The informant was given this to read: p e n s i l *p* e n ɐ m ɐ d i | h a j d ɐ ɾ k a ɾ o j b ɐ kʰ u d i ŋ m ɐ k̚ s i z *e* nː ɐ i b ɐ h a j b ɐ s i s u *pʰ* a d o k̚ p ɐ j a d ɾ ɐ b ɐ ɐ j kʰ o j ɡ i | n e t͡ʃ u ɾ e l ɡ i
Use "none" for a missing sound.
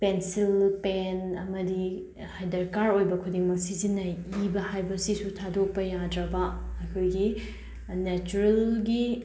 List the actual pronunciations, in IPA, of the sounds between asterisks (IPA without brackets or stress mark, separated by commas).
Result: p, i, tʰ